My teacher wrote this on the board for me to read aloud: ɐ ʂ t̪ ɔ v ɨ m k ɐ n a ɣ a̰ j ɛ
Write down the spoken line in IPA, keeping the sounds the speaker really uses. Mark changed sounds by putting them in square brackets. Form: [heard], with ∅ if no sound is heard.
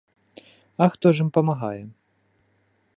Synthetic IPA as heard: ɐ [x] t̪ ɔ [ʐ] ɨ m [p] ɐ [m] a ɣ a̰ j ɛ

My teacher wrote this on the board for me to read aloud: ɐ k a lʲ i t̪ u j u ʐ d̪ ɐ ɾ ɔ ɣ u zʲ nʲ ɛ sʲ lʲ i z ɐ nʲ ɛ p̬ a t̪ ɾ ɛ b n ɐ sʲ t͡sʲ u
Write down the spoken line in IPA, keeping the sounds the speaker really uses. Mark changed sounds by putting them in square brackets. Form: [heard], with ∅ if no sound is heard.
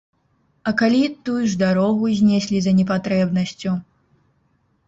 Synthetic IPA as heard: ɐ k a lʲ i t̪ u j u ʐ d̪ [a] ɾ ɔ ɣ u zʲ nʲ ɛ sʲ lʲ i z ɐ nʲ ɛ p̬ a t̪ ɾ ɛ b n ɐ sʲ t͡sʲ u

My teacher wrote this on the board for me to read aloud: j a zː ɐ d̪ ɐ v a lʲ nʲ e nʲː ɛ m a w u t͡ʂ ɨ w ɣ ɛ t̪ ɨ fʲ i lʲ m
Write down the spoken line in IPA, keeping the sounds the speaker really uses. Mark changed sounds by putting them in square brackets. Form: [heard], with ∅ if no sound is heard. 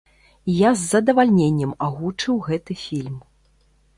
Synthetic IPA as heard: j a zː ɐ d̪ ɐ v a lʲ nʲ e nʲː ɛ m a [ɣ] u t͡ʂ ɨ w ɣ ɛ t̪ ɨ fʲ i lʲ m

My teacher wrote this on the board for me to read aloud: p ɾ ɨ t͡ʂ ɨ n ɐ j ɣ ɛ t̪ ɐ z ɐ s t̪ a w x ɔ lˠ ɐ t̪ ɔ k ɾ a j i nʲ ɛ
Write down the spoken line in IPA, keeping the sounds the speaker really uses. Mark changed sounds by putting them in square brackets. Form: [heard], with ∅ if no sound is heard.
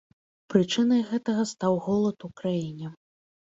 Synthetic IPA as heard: p ɾ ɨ t͡ʂ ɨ n ɐ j ɣ ɛ t̪ ɐ [ɣ] ɐ s t̪ a w [ɣ] ɔ lˠ ɐ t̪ [u] k ɾ a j i nʲ ɛ

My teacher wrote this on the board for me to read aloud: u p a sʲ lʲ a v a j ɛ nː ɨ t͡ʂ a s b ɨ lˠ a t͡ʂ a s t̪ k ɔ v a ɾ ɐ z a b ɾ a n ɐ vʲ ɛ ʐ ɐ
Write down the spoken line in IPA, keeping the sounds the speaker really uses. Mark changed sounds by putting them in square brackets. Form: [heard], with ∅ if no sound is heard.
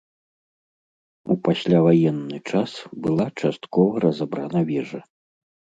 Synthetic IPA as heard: u p a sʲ lʲ a v a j ɛ nː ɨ t͡ʂ a s b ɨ lˠ a t͡ʂ a s t̪ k ɔ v [ɐ] ɾ ɐ z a b ɾ a n ɐ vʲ ɛ ʐ ɐ

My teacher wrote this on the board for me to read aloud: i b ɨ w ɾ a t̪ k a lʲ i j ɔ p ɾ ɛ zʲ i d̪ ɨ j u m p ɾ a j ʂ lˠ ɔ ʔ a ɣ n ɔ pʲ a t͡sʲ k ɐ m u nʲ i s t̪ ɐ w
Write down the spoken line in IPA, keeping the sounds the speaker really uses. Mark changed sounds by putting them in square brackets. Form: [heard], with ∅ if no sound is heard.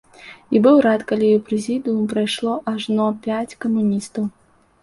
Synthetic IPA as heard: i b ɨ w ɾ a t̪ k a lʲ i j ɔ p ɾ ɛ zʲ i d̪ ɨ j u m p ɾ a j ʂ lˠ ɔ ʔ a [ʐ] n ɔ pʲ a t͡sʲ k ɐ m u nʲ i s t̪ ɐ w

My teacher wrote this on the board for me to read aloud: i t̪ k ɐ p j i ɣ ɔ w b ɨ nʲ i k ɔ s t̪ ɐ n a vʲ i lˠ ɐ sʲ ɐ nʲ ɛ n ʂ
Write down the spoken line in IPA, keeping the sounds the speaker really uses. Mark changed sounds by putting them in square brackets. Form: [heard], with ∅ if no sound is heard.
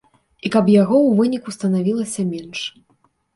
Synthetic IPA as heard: i [∅] k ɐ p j [a] ɣ ɔ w [v] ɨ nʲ i k [u] s t̪ ɐ n a vʲ i lˠ ɐ sʲ ɐ [mʲ] ɛ n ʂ

